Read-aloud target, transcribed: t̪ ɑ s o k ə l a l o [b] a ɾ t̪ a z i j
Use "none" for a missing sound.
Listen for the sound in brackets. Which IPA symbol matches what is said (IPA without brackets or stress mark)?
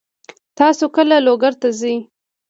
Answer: ɡ